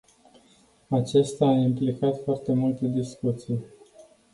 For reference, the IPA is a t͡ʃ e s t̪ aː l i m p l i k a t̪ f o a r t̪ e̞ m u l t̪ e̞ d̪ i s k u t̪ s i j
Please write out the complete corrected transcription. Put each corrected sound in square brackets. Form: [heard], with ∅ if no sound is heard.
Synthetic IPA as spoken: a t͡ʃ e s t̪ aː [∅] i m p l i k a t̪ f o a r t̪ e̞ m u l t̪ e̞ d̪ i s k u t̪ s i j